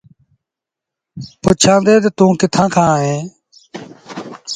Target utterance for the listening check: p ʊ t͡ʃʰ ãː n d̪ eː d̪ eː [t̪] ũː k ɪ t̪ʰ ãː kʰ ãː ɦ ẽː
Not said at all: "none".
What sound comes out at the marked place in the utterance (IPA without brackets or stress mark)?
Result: t̪